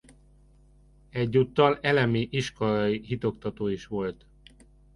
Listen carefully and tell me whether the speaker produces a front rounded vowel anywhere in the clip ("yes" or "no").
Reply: no